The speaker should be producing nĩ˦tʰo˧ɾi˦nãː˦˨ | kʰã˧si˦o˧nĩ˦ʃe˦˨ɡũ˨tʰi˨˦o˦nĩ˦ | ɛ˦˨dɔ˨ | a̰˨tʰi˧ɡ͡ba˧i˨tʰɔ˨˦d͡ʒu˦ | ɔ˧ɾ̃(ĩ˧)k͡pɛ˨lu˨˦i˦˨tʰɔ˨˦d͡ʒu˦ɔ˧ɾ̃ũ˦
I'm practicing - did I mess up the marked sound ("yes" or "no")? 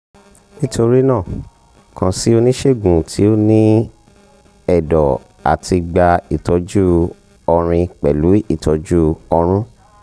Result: no